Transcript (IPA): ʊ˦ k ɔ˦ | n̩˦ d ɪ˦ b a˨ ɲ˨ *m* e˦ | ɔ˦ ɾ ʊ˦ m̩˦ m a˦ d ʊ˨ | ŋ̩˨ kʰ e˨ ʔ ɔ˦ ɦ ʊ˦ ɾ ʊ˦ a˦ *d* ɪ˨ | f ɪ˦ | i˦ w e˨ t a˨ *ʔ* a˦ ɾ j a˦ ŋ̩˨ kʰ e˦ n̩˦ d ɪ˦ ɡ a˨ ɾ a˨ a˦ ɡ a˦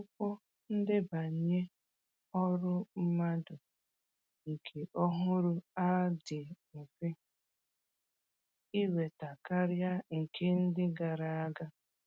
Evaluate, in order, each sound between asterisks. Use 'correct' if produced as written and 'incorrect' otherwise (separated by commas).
incorrect, correct, incorrect